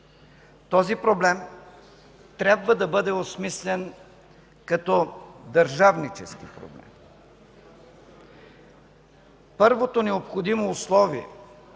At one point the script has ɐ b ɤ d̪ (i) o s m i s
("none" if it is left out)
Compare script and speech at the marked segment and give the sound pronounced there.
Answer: ɛ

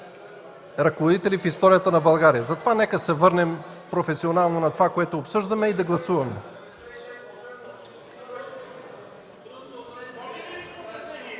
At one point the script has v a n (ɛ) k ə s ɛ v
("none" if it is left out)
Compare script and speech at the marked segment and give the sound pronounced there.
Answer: ɛ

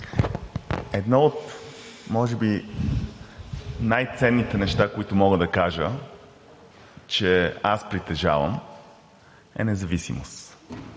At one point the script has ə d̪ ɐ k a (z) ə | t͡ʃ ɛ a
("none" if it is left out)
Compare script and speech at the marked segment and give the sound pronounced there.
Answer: ʒ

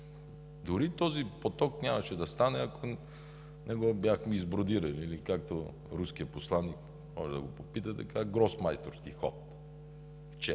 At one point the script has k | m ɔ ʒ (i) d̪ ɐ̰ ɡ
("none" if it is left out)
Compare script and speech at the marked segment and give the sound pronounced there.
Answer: ɛ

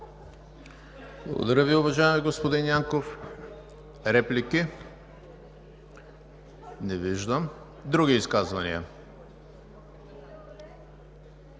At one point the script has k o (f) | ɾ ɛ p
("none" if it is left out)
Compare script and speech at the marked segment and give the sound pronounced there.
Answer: f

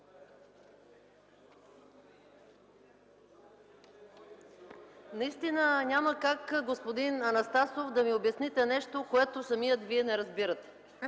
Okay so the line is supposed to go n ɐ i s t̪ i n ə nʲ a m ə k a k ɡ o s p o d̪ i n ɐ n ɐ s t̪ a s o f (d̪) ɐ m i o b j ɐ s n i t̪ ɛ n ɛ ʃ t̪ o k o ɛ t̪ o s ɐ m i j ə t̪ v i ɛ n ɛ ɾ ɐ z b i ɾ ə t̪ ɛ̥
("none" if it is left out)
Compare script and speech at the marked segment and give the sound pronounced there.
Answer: d̪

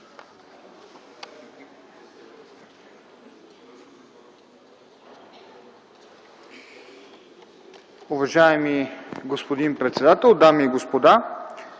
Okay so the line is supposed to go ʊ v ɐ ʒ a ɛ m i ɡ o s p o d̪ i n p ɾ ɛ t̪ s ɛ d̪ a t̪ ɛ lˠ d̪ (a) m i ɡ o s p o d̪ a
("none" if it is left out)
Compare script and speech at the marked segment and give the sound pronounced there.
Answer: a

